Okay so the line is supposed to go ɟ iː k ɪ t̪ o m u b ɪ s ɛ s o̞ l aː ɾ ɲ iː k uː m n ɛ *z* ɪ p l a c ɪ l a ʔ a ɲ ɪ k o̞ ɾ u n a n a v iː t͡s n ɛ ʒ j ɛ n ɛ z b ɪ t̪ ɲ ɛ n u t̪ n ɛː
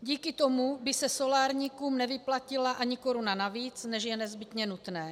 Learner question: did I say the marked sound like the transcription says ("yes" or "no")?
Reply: no